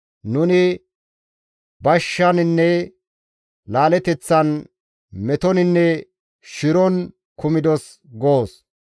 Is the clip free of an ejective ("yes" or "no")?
yes